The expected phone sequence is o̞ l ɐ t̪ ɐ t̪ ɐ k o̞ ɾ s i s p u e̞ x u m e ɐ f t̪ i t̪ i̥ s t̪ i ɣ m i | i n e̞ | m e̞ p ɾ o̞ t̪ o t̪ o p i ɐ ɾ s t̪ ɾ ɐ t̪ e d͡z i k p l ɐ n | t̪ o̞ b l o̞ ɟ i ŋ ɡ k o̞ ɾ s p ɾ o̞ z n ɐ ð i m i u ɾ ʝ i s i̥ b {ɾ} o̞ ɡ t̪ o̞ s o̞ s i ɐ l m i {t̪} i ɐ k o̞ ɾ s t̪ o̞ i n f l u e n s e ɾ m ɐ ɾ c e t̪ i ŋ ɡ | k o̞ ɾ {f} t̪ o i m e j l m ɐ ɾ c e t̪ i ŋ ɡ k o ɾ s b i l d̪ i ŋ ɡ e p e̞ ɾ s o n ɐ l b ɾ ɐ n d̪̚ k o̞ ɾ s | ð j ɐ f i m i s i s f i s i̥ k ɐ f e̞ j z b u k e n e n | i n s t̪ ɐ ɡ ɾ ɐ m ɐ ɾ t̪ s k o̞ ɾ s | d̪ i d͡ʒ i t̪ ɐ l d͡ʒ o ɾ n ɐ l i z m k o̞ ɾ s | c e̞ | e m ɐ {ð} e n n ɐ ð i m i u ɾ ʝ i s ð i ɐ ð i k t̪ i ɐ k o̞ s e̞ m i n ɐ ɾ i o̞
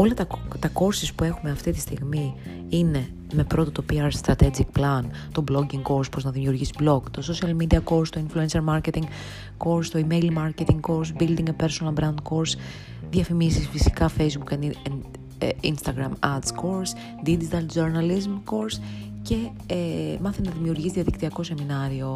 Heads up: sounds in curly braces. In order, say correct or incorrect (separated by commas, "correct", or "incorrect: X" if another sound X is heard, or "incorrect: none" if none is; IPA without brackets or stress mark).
incorrect: l, incorrect: d̪, incorrect: s, incorrect: θ